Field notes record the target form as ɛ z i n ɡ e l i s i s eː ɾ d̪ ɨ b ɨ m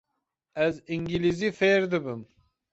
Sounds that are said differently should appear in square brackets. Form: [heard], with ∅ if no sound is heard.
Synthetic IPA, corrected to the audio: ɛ z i [ŋ] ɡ [i] l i [z] i [f] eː ɾ d̪ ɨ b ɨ m